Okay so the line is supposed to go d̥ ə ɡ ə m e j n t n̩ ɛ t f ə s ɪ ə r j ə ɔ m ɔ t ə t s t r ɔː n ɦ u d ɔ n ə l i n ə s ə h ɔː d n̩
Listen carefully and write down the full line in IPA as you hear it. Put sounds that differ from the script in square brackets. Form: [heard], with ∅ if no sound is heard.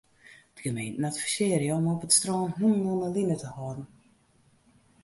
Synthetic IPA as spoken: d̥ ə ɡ ə m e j n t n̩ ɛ t f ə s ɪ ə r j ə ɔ m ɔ [p] ə t s t r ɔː n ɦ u [n] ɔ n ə l i n ə [t] ə h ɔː d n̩